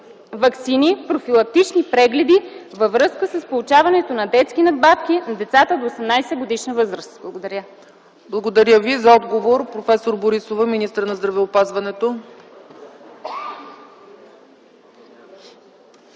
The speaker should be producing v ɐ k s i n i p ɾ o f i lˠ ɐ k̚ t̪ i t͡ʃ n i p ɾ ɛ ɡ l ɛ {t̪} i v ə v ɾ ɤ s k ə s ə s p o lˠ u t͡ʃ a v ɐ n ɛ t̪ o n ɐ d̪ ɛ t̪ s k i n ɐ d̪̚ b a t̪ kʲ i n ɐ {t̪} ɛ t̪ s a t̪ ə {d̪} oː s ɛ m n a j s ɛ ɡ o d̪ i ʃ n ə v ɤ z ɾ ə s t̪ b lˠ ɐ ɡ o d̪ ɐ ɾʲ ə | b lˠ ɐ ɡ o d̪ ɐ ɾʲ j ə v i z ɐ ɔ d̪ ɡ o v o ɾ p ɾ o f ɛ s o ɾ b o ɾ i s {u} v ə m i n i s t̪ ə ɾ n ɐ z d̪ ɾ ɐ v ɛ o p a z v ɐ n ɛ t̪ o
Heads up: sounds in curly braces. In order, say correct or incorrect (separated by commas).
incorrect, incorrect, correct, incorrect